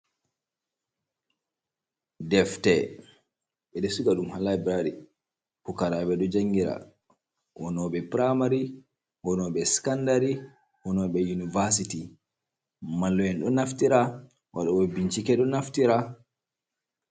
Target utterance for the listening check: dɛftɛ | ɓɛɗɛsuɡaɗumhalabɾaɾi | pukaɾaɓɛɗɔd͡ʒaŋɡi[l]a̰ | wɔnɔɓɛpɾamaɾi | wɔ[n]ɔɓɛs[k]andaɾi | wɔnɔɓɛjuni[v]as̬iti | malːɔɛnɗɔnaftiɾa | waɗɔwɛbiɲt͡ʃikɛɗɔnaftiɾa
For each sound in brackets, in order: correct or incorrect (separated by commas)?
incorrect, correct, correct, correct